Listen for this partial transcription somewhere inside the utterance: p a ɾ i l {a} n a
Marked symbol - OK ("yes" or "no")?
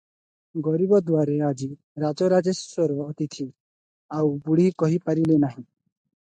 no